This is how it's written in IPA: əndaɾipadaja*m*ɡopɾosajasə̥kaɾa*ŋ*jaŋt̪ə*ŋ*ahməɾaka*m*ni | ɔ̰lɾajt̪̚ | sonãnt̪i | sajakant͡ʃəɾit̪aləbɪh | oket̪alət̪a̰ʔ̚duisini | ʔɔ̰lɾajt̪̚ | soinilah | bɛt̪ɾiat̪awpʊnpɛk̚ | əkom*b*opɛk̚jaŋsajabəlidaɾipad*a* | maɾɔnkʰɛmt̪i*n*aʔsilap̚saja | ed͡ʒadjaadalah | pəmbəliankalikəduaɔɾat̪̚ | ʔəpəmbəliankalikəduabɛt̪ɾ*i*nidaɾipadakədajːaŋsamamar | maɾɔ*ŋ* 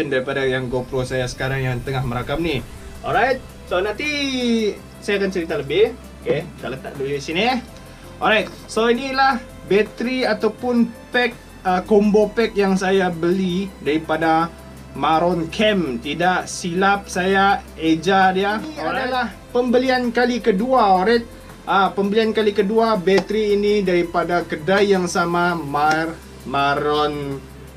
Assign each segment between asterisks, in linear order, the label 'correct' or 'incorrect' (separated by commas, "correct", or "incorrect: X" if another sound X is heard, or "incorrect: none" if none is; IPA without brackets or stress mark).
incorrect: ŋ, correct, correct, correct, correct, correct, incorrect: d, incorrect: iː, incorrect: n